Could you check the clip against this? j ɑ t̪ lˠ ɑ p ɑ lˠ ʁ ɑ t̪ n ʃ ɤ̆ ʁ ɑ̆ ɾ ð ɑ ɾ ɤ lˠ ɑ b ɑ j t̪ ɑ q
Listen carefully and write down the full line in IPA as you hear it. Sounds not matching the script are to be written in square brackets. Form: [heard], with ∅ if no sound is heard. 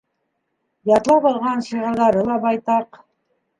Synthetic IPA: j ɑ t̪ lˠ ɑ p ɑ lˠ ʁ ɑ [∅] n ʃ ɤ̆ ʁ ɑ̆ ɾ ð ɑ ɾ ɤ lˠ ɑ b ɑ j t̪ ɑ q